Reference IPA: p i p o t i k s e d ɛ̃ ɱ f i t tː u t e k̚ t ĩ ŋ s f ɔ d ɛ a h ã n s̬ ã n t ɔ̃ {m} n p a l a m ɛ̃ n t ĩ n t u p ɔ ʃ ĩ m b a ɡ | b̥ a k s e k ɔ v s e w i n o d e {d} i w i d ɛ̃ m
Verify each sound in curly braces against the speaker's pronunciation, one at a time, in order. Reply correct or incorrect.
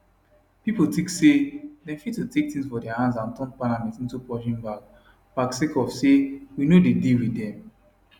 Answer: incorrect: none, correct

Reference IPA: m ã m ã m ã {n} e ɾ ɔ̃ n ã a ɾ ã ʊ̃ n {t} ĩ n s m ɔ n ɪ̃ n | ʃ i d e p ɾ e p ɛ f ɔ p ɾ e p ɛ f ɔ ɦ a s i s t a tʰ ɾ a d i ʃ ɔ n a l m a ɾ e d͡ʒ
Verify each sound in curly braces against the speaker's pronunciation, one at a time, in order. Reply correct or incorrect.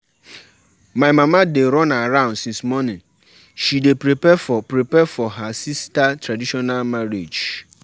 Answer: incorrect: d, incorrect: s

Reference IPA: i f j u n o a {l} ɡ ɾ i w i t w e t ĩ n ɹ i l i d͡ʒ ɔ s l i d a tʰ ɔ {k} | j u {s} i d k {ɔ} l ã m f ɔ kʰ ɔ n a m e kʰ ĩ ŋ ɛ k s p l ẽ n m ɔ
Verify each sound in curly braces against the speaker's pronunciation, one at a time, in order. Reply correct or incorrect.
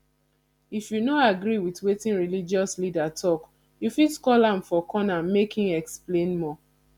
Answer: incorrect: none, correct, incorrect: f, correct

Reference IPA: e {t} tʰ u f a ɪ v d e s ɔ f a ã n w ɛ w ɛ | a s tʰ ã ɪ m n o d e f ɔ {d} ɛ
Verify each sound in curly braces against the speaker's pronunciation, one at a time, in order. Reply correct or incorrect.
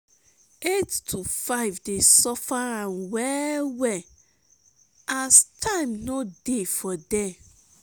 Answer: correct, correct

